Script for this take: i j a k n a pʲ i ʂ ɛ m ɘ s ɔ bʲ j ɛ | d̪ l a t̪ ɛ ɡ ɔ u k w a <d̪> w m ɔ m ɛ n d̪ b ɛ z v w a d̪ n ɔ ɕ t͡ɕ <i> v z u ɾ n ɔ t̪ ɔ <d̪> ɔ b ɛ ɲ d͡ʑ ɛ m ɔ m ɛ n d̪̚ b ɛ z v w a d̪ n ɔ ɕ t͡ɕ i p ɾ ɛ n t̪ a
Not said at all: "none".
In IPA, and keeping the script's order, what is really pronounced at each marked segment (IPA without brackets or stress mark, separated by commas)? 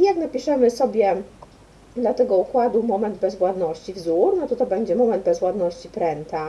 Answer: d̪, i, t̪